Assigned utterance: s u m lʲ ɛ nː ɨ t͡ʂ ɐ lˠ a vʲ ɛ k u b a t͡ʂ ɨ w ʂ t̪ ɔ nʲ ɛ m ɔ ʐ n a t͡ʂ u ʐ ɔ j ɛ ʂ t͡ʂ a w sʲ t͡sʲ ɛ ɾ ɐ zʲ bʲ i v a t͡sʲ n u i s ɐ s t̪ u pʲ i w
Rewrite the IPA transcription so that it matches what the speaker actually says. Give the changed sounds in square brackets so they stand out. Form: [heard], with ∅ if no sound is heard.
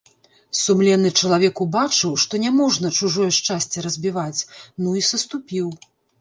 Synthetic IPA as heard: s u m lʲ ɛ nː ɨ t͡ʂ ɐ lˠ a vʲ ɛ k u b a t͡ʂ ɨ w ʂ t̪ ɔ nʲ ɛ m ɔ ʐ n [ɐ] t͡ʂ u ʐ ɔ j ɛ ʂ t͡ʂ a [∅] sʲ t͡sʲ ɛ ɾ ɐ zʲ bʲ i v a t͡sʲ n u i s ɐ s t̪ u pʲ i w